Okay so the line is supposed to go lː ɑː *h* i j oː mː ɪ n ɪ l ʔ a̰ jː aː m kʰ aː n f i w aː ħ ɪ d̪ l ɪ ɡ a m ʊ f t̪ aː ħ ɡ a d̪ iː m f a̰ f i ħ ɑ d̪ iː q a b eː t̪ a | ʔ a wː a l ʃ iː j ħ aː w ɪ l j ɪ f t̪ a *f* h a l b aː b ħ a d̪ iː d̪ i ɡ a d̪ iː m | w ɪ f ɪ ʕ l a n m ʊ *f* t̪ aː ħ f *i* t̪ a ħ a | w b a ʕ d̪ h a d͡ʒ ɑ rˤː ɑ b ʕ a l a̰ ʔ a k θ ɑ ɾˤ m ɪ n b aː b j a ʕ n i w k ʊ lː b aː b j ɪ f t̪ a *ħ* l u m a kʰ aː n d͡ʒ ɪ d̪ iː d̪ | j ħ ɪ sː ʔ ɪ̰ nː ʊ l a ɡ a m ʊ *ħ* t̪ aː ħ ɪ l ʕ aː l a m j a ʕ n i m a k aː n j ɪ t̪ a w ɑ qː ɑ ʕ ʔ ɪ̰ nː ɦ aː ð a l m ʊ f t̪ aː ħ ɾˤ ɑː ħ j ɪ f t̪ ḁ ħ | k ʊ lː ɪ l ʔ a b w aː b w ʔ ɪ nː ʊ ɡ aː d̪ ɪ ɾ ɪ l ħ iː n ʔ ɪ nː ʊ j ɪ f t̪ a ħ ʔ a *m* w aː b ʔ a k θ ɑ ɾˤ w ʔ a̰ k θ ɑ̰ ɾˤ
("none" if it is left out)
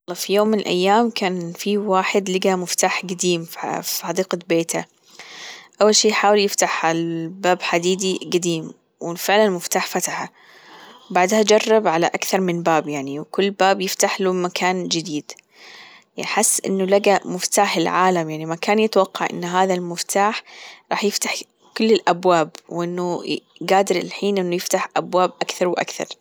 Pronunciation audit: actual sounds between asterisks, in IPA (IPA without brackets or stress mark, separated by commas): f, ħ, f, a, ħ, f, b